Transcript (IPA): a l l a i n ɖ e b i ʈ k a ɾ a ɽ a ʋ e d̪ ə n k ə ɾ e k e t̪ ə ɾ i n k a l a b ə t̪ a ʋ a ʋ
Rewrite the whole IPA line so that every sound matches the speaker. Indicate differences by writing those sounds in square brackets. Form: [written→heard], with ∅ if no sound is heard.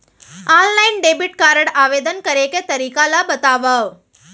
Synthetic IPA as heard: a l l a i n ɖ e b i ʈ k a ɾ [a→ə] ɽ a ʋ e d̪ ə n k ə ɾ e k e t̪ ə ɾ i [n→∅] k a l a b ə t̪ a ʋ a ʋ

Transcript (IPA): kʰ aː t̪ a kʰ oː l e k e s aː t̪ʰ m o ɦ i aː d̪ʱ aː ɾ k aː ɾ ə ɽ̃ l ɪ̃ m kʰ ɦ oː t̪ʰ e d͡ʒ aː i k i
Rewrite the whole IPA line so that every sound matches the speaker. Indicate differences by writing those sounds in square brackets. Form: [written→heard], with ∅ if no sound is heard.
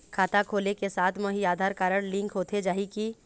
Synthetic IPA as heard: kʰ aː t̪ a kʰ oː l e k e s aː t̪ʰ m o ɦ i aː d̪ʱ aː ɾ k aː ɾ ə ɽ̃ l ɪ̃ [m→ŋ] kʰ ɦ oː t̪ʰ e d͡ʒ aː i k i

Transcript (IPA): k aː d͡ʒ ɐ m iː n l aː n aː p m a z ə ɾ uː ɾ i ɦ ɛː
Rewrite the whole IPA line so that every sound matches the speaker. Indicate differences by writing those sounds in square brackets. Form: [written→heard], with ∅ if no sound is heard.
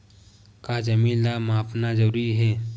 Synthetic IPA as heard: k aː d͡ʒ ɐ m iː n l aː [n→m] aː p [m→n] a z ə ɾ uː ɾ i ɦ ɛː

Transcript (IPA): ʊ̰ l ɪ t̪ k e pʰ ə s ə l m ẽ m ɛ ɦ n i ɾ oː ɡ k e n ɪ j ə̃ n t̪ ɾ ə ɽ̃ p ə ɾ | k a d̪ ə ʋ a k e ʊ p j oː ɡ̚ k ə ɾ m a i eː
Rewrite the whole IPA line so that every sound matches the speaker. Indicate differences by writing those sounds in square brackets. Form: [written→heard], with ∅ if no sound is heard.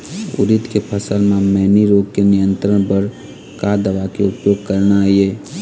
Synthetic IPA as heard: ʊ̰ [l→ɾ] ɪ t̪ k e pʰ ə s ə l m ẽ m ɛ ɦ n i ɾ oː ɡ k e n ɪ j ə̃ n t̪ ɾ ə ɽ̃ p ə ɾ | k a d̪ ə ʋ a k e ʊ p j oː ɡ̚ k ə ɾ [m→n] a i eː

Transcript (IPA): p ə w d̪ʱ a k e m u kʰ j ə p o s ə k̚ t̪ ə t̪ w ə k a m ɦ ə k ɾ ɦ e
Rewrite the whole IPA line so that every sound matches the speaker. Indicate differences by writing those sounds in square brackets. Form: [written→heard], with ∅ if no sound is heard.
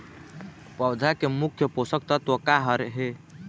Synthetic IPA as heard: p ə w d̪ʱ a k e m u kʰ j ə p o s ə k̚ t̪ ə t̪ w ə k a [m→∅] ɦ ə [k→∅] ɾ ɦ e

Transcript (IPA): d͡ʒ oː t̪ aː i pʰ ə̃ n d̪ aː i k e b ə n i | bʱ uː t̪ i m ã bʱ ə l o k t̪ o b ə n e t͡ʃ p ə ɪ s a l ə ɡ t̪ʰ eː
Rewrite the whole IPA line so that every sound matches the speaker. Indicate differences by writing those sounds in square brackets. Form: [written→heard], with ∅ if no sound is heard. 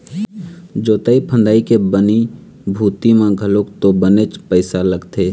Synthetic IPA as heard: d͡ʒ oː t̪ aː i pʰ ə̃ n d̪ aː i k e b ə n i | bʱ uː t̪ i m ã [bʱ→ɡʱ] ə l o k t̪ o b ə n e t͡ʃ p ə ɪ s a l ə ɡ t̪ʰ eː

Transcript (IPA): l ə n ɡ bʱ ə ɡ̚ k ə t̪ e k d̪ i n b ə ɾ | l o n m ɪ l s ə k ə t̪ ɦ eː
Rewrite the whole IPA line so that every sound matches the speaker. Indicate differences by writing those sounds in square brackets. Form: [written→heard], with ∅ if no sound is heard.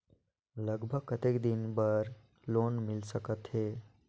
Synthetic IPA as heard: l ə [n→∅] ɡ bʱ ə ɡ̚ k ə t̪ e k d̪ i n b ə ɾ | l o n m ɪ l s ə k ə t̪ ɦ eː

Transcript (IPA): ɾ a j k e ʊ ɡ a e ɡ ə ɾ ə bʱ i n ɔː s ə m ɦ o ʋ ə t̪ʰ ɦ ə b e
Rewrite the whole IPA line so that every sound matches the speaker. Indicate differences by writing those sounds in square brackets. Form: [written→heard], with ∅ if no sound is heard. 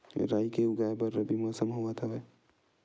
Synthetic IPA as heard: ɾ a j k e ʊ ɡ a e [ɡ→b] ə ɾ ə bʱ i [n→m] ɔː s ə m ɦ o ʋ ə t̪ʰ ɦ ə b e

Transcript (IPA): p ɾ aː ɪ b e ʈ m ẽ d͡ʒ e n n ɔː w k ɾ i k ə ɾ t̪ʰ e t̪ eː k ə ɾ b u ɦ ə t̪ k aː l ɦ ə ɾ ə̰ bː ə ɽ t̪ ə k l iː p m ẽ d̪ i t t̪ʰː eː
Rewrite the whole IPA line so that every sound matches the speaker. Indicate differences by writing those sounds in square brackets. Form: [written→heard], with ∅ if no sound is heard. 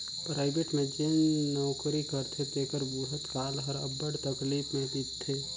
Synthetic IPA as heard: p ɾ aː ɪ b e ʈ m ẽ d͡ʒ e n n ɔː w k ɾ i k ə ɾ t̪ʰ e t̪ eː k ə ɾ b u ɦ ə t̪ k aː l ɦ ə ɾ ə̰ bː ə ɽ t̪ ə k l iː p m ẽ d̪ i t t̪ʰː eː

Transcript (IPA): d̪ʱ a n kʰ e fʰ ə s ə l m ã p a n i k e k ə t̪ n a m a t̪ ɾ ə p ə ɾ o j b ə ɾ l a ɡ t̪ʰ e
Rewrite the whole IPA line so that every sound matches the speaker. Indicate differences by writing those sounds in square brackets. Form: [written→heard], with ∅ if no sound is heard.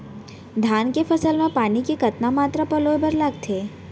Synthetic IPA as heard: d̪ʱ a n [kʰ→k] e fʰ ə s ə l m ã p a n i k e k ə t̪ n a m a t̪ ɾ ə p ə [ɾ→l] o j b ə ɾ l a ɡ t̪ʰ e

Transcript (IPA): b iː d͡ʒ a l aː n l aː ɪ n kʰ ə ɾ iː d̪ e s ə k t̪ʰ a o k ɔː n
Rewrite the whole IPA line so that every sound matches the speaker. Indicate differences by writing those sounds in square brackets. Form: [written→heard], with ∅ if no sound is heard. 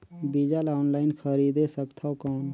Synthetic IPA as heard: b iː d͡ʒ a l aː n l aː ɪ n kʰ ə ɾ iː d̪ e s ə k t̪ʰ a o k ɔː n

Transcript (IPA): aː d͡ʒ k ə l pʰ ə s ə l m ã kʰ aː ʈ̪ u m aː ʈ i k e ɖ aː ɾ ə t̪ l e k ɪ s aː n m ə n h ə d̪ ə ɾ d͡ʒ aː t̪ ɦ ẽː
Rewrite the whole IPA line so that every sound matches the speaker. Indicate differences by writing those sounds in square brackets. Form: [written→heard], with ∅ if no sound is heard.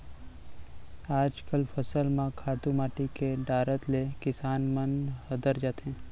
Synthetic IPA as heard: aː d͡ʒ k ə l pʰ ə s ə l m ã kʰ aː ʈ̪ u m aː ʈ i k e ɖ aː ɾ ə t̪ l e k ɪ s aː n m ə n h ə d̪ ə ɾ d͡ʒ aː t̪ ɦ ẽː

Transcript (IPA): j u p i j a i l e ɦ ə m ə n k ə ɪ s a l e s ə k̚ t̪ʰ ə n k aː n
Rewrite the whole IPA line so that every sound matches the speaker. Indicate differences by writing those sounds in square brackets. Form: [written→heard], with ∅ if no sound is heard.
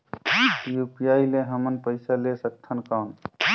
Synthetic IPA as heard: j u p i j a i l e ɦ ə m ə n [k→p] ə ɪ s a l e s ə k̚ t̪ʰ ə n k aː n

